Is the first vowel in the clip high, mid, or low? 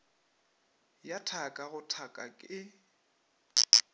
low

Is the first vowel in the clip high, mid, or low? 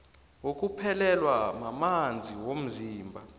mid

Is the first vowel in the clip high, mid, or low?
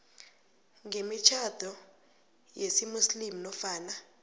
mid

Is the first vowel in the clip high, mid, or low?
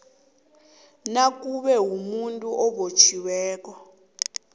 low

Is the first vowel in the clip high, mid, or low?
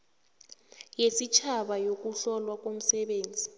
mid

